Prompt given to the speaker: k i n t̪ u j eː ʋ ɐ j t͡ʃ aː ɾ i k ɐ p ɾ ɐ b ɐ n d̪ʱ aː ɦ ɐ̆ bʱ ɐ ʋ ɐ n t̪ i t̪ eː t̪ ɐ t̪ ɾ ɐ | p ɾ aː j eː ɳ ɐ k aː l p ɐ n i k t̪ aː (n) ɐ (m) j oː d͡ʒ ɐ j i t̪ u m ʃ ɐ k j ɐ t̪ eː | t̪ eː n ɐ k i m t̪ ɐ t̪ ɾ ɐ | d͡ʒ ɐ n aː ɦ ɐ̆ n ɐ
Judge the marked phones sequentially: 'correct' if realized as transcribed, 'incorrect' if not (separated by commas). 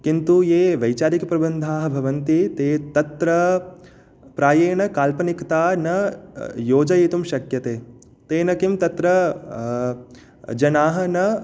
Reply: correct, incorrect